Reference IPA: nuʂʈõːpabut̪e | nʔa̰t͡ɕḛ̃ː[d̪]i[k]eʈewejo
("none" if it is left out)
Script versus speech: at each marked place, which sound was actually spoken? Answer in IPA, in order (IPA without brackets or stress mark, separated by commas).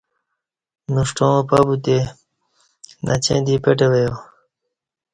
d̪, p